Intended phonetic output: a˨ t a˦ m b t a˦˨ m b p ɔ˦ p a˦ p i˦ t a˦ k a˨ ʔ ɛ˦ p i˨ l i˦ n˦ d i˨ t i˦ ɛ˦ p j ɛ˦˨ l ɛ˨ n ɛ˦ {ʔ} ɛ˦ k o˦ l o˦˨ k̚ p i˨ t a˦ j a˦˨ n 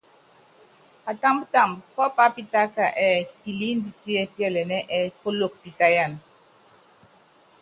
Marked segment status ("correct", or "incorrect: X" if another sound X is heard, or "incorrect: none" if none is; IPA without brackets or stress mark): correct